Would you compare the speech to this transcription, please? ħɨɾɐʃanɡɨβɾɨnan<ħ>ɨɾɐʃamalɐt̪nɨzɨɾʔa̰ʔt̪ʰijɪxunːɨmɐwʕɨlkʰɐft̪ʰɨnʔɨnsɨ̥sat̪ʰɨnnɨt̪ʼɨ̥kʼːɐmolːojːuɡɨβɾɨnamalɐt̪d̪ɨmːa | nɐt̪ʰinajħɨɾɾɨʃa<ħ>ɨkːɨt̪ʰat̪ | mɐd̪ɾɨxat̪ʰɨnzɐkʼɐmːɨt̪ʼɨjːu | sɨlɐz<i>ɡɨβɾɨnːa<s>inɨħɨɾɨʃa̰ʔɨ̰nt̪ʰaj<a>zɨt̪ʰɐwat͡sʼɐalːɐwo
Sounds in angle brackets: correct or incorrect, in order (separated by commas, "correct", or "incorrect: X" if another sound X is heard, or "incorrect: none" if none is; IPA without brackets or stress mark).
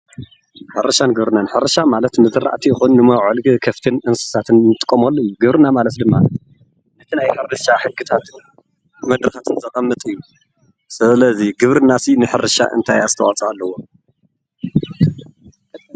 correct, correct, correct, correct, correct